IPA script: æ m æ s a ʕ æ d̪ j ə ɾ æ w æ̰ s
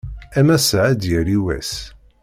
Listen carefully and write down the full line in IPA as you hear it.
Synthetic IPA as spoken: æ m æ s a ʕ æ d̪ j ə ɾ i w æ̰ s